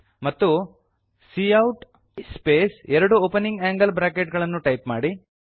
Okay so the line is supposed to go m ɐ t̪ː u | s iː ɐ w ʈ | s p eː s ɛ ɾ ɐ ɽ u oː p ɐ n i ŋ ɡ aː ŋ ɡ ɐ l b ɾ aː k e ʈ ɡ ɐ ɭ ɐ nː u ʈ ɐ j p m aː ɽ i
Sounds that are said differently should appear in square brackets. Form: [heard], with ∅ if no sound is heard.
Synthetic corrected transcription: m ɐ t̪ː u | s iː ɐ w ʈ | s p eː s ɛ ɾ ɐ ɽ u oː p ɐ n i ŋ ɡ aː ŋ ɡ ɐ l b ɾ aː k e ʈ ɡ ɐ ɭ ɐ nː u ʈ ɐ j p m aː ɽ i